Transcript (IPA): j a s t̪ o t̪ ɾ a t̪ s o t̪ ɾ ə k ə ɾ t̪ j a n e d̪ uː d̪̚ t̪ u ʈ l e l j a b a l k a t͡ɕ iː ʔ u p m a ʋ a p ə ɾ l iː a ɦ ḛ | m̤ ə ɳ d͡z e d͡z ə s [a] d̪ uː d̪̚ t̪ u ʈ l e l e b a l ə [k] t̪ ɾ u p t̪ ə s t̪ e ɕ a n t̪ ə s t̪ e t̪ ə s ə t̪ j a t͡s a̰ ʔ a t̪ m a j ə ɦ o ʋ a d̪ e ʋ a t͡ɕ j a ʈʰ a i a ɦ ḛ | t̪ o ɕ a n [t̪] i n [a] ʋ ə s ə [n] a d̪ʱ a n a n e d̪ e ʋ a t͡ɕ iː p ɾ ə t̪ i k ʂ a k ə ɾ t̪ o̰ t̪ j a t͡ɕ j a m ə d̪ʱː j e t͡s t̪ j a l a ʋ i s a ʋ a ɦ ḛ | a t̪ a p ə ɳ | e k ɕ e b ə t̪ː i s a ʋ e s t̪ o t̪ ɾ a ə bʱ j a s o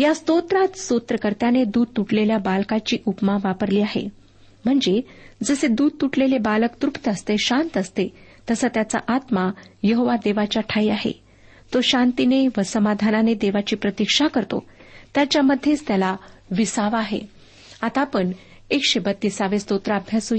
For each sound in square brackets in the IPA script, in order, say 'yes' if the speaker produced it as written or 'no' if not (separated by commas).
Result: no, yes, yes, no, no